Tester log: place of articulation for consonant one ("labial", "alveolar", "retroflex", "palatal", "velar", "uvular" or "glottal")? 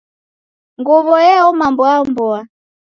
velar